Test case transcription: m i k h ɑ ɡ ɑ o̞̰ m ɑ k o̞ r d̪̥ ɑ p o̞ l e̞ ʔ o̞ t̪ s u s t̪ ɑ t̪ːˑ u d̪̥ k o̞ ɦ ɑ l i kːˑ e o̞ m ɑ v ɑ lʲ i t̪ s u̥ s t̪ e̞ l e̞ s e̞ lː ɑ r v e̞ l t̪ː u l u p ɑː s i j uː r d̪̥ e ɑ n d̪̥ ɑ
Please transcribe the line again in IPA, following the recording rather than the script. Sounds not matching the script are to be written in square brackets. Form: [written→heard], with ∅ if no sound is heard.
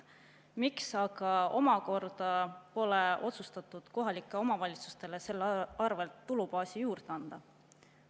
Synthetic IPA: m i k [h→s] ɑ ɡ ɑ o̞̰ m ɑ k o̞ r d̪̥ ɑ p o̞ l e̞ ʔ o̞ t̪ s u s t̪ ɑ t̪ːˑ u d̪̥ k o̞ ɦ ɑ l i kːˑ e o̞ m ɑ v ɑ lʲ i t̪ s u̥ s t̪ e̞ l e̞ s e̞ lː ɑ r v e̞ l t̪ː u l u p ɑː s i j uː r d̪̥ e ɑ n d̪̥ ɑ